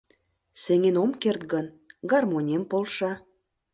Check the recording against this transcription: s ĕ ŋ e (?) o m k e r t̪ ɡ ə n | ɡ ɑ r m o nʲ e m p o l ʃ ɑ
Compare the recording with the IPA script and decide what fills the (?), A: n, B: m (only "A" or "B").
A